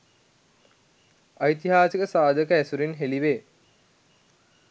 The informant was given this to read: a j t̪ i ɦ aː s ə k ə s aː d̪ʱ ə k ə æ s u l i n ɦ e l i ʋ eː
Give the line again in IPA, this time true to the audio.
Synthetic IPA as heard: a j t̪ i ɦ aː s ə k ə s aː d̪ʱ ə k ə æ s u ɾ i n ɦ e l i ʋ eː